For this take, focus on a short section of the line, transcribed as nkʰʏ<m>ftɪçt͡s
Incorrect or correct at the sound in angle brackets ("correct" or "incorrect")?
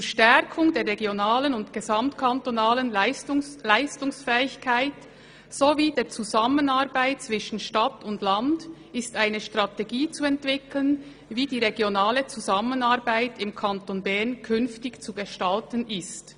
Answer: incorrect